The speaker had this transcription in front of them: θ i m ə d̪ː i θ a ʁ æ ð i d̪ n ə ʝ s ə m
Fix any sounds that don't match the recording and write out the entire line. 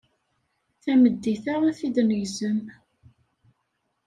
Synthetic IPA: θ æ m ə d̪ː i θ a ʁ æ θ i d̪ n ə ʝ z ə m